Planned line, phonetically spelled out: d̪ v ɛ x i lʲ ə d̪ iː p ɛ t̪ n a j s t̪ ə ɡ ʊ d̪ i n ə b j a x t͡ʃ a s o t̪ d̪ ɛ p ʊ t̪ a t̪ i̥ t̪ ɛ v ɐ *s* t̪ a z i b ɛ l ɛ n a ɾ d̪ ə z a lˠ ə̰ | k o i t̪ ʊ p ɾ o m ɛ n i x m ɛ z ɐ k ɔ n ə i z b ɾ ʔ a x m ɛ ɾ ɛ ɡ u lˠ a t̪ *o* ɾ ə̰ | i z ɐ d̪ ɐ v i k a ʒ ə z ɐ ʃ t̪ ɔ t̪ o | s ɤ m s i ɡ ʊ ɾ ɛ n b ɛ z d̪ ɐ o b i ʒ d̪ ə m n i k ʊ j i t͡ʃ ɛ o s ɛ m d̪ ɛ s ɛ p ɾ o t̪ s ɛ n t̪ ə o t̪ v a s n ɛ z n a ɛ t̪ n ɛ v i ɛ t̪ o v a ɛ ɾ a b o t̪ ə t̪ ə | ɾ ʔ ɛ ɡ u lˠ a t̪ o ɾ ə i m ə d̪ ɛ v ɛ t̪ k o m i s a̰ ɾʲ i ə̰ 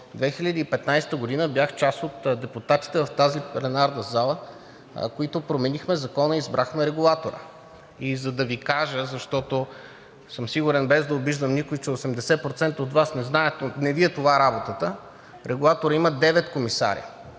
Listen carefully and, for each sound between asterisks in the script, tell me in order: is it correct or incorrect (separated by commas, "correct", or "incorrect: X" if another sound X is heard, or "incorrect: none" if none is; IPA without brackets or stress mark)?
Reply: incorrect: f, correct